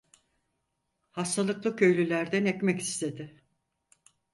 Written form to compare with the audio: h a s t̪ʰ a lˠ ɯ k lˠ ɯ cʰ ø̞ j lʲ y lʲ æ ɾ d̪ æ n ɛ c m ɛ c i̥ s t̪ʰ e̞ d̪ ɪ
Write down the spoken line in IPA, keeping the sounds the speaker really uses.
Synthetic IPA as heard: h a s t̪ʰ a lˠ ɯ k lˠ ɯ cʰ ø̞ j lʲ y lʲ æ ɾ d̪ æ n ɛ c m ɛ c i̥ s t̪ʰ e̞ d̪ ɪ